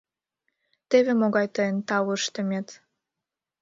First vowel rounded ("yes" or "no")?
no